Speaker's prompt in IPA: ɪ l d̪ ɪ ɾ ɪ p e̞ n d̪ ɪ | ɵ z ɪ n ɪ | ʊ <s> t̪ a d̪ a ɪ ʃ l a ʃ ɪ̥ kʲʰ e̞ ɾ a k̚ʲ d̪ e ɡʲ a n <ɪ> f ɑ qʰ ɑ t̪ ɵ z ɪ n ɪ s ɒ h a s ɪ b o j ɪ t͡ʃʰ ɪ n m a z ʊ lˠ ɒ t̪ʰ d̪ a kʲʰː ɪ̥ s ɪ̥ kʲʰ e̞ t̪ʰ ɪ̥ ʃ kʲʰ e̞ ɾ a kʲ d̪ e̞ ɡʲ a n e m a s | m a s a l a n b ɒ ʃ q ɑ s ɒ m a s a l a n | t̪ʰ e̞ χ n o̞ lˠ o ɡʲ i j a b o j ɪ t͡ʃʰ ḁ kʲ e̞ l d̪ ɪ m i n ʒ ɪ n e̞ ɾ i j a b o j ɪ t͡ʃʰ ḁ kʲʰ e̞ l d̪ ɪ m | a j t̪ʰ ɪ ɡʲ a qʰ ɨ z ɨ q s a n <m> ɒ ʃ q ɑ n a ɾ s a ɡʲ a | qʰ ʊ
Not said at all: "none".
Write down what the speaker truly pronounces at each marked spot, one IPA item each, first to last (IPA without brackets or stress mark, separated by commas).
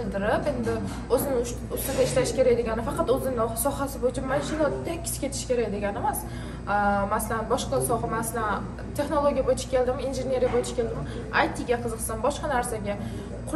s, ɪ, b